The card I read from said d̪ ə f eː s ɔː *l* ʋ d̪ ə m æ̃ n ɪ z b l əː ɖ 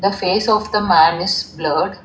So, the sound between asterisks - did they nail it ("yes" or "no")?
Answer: no